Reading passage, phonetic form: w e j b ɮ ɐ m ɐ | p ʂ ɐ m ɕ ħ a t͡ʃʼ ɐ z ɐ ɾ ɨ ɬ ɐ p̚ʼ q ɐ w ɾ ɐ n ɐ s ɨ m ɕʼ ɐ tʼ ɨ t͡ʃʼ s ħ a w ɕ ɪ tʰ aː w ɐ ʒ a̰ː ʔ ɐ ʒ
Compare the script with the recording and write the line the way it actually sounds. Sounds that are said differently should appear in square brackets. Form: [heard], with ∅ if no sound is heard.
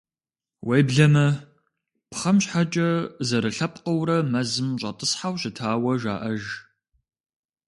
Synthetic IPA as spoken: w e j b ɮ ɐ m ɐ | p [χ] ɐ m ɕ ħ a t͡ʃʼ ɐ z ɐ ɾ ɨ ɬ ɐ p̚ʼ q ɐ w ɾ ɐ [m] ɐ [z] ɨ m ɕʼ ɐ tʼ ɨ [∅] s ħ a w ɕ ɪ tʰ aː w ɐ ʒ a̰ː ʔ ɐ ʒ